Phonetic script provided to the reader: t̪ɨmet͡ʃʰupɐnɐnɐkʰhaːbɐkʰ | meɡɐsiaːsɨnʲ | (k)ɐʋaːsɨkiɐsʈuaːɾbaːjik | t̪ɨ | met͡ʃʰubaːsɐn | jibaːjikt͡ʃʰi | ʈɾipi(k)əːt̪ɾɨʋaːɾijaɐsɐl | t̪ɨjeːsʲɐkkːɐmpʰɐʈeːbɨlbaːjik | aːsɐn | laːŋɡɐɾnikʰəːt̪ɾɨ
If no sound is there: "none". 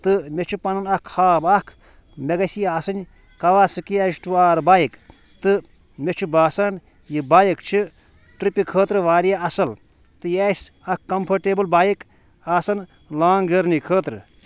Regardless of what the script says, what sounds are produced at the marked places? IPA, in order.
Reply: k, kʰ

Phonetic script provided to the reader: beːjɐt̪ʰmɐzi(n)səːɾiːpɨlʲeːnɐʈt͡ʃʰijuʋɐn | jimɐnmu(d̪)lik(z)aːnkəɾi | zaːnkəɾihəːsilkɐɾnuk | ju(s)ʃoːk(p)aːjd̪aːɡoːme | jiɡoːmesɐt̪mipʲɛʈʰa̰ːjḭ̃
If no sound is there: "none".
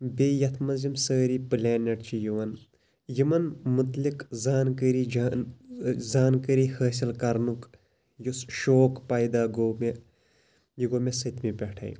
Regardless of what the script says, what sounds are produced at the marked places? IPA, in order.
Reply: m, t̪, z, s, p

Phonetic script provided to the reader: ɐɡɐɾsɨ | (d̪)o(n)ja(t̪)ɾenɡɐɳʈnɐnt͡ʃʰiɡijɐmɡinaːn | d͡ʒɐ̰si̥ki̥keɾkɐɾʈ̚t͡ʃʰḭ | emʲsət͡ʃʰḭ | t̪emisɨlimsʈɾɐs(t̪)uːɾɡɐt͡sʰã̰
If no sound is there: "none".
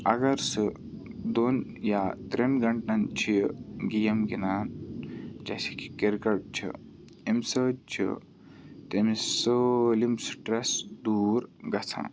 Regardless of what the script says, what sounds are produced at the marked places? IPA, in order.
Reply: d̪, n, t̪, d̪

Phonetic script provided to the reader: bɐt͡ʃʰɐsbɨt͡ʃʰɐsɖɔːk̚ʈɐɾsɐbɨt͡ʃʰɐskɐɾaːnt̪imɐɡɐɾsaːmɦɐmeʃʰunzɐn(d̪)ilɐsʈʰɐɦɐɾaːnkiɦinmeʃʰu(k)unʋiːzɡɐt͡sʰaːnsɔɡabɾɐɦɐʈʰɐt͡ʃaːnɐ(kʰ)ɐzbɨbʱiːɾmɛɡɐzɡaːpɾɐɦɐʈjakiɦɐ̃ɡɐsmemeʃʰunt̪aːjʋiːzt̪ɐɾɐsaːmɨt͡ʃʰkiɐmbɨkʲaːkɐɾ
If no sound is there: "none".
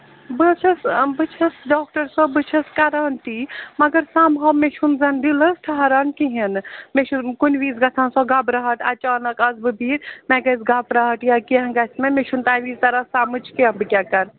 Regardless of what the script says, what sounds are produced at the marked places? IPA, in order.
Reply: d̪, k, k

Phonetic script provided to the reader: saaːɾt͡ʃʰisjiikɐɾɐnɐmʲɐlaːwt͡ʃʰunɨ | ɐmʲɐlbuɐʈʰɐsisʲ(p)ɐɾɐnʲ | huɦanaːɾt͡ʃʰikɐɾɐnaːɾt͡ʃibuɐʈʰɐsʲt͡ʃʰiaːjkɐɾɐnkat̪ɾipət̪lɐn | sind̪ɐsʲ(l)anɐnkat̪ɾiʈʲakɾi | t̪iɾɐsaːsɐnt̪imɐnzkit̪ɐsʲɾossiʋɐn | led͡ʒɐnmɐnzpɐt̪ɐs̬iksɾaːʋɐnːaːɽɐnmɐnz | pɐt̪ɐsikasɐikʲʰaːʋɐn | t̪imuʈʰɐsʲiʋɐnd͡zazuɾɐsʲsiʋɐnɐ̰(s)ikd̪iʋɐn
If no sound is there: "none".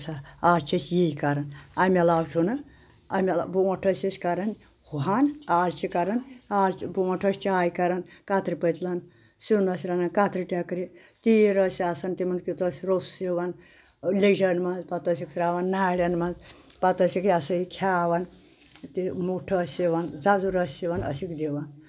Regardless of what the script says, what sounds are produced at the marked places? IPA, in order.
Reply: k, ɾ, s

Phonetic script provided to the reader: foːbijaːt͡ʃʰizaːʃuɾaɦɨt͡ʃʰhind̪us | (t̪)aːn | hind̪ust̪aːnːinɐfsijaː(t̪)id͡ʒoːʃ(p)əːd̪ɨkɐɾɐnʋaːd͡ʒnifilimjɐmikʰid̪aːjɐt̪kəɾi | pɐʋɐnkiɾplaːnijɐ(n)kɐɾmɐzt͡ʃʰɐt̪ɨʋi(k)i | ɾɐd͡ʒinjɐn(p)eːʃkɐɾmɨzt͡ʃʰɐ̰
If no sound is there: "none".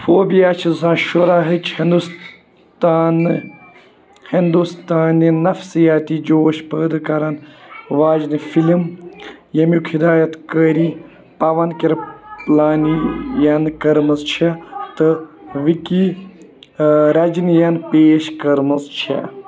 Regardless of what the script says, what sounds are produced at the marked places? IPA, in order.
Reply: t̪, t̪, p, n, k, p

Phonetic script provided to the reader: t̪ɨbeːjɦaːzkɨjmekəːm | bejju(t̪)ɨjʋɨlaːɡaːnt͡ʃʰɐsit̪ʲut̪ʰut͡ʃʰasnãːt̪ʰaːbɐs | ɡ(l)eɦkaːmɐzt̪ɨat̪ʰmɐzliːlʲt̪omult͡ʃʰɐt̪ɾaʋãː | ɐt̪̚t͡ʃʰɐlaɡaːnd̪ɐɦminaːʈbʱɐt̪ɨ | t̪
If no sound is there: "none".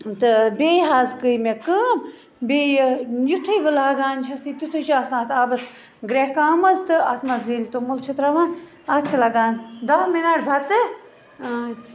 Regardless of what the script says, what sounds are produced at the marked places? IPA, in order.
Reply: t̪ʰ, ɾ

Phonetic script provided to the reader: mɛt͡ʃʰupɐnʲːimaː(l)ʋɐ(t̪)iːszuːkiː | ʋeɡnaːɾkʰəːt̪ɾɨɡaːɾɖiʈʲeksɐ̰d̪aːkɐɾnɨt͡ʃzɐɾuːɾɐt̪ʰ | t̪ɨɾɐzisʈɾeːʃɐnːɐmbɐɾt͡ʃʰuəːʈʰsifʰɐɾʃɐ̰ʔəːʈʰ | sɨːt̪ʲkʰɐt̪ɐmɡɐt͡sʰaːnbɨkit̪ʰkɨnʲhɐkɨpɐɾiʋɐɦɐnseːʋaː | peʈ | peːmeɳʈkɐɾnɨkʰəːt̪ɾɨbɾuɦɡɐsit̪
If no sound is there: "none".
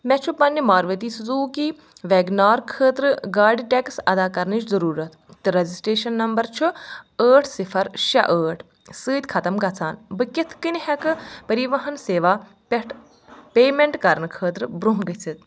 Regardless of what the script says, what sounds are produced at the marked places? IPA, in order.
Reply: ɾ, t̪

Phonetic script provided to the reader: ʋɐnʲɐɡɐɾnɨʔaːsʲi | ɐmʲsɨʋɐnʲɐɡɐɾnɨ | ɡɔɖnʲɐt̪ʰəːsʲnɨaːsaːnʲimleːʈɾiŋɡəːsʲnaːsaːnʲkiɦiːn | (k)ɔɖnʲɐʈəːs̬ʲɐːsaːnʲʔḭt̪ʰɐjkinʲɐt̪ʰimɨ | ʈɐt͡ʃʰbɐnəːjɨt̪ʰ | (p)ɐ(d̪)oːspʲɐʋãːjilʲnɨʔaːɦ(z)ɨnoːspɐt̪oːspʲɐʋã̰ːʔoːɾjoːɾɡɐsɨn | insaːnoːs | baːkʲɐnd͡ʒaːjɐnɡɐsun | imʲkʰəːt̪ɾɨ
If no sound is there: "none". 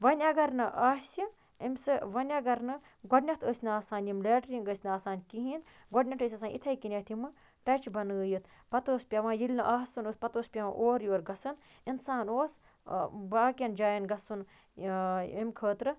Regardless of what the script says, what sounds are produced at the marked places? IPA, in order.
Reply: ɡ, p, t̪, s

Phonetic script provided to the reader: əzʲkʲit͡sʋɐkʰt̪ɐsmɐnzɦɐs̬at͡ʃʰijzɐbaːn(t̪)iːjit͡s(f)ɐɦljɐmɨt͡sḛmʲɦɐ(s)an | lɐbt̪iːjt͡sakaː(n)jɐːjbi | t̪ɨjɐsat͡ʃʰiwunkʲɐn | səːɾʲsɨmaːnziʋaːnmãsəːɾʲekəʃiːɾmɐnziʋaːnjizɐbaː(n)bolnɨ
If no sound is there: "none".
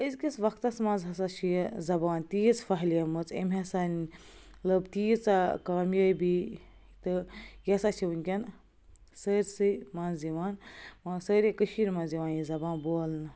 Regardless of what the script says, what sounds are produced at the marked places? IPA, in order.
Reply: t̪, f, s, m, n

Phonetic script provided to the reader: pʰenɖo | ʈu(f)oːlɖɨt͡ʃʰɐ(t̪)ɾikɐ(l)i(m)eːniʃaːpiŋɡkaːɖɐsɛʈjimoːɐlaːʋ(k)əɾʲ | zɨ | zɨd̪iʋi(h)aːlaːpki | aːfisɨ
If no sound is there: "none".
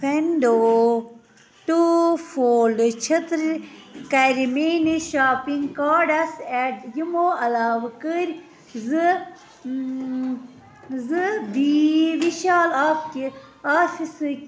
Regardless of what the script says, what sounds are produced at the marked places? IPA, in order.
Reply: f, t̪, ɾ, m, k, ʃ

